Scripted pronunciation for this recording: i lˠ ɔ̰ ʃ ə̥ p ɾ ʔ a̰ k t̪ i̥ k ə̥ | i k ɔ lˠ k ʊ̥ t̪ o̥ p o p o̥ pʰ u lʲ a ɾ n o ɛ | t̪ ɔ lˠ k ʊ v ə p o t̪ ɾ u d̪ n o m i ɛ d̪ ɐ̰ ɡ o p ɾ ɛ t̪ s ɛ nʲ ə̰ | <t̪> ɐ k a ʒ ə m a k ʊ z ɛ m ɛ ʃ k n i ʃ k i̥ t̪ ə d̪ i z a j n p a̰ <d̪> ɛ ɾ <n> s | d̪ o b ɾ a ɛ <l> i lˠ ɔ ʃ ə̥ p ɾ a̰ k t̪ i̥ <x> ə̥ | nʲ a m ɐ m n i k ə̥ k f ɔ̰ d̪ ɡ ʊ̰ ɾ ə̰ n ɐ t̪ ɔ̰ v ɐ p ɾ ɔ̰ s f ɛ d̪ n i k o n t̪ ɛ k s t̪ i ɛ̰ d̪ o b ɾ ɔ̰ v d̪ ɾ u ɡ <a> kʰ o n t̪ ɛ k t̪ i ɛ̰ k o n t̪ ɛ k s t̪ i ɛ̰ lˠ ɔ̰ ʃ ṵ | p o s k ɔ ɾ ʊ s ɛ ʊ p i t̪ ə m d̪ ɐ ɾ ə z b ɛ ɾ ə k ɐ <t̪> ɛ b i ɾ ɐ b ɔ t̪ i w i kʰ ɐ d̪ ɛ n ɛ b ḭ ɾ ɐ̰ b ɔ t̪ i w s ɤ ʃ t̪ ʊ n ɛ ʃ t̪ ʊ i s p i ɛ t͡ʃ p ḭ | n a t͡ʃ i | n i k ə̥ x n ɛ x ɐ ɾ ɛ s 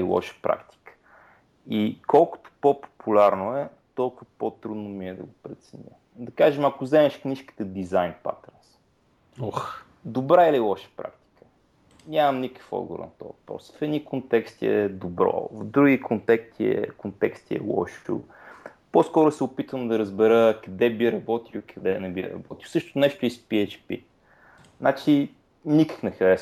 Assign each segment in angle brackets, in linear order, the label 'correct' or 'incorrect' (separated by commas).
incorrect, incorrect, correct, correct, incorrect, incorrect, incorrect